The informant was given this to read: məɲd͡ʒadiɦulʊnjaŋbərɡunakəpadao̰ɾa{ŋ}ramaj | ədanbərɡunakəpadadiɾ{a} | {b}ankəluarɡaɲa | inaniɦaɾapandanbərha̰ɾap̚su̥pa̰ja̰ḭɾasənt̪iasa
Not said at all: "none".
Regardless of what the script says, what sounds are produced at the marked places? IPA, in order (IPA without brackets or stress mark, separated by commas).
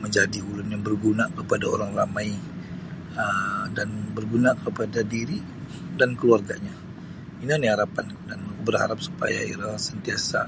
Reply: ŋ, i, d